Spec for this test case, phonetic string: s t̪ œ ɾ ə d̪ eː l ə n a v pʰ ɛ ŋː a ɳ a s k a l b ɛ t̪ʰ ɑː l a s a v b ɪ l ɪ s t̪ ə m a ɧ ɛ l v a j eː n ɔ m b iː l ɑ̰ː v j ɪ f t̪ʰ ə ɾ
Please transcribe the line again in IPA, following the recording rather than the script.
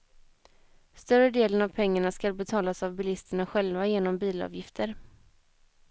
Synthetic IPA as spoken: s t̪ œ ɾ ə d̪ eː l ə n a v pʰ ɛ ŋː a ɳ a s k a l b ɛ t̪ʰ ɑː l a s a v b ɪ l ɪ s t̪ ə ɳ a ɧ ɛ l v a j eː n ɔ m b iː l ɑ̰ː v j ɪ f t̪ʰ ə ɾ